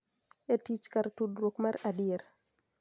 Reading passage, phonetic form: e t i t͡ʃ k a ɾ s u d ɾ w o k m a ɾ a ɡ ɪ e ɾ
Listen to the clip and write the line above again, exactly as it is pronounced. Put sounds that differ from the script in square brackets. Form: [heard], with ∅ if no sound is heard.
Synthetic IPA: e t i t͡ʃ k a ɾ [t] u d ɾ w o k m a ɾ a [d] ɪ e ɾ